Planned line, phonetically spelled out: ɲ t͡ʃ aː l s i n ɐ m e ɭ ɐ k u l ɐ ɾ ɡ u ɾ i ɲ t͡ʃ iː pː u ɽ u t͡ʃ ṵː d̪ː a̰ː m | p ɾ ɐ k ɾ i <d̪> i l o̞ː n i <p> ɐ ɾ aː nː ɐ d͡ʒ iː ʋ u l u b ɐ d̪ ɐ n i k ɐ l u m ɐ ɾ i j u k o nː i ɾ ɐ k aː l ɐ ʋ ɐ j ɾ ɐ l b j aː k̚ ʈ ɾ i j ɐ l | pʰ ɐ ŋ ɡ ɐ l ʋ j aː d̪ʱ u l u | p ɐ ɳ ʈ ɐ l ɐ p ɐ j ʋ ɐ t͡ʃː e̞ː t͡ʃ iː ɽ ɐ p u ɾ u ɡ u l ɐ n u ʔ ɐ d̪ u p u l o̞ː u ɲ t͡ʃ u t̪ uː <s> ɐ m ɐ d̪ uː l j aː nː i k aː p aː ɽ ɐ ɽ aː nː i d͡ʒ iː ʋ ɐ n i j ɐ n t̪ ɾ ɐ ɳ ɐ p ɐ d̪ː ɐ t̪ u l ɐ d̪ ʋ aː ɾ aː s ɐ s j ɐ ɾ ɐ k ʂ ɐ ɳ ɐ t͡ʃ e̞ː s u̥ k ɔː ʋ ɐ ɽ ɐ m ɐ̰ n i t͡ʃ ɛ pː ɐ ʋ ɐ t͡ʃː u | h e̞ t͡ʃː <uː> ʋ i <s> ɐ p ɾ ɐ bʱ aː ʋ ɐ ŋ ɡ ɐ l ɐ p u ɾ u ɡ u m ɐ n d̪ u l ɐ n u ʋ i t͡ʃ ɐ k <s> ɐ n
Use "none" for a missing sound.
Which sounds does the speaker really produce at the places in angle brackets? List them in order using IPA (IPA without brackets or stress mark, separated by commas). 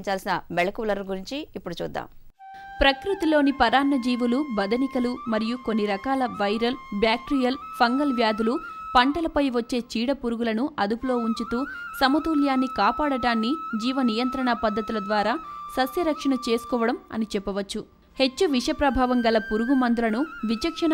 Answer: t̪, p, s, u, ʂ, ʂ